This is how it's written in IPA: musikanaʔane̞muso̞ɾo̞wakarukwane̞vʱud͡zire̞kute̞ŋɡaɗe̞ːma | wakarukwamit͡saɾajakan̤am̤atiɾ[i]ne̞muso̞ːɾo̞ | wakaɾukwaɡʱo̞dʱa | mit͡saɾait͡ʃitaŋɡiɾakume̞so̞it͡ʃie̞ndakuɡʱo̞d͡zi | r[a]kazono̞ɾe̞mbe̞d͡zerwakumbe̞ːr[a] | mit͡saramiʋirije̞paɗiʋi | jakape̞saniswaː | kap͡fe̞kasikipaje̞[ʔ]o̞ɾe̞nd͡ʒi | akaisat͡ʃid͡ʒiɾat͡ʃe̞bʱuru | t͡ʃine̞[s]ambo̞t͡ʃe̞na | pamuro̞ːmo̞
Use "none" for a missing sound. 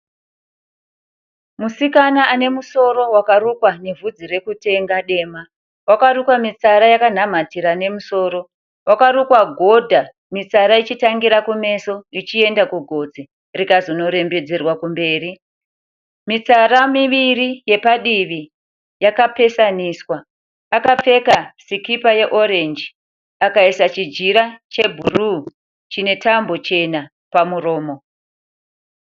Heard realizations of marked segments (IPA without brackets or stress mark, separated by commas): a, i, i, ʔ, t